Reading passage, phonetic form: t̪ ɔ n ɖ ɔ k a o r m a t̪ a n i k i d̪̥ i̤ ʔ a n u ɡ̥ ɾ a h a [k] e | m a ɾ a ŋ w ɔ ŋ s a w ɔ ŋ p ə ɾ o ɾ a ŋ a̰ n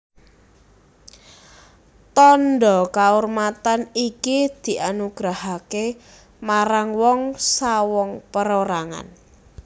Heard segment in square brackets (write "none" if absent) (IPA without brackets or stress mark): k